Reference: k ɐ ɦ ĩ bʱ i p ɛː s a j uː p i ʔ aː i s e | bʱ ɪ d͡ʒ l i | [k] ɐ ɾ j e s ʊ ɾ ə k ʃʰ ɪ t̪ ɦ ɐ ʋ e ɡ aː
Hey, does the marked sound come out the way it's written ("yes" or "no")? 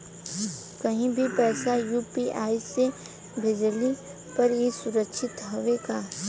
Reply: no